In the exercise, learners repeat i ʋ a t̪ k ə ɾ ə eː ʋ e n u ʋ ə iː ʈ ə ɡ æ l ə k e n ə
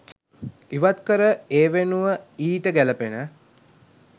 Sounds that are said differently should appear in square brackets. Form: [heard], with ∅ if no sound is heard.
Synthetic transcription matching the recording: i ʋ a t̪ k ə ɾ ə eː ʋ e n u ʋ ə iː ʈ ə ɡ æ l ə [p] e n ə